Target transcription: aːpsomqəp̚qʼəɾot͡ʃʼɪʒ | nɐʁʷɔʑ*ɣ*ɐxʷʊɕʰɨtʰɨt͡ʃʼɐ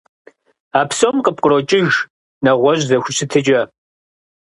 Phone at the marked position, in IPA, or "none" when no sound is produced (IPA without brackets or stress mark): z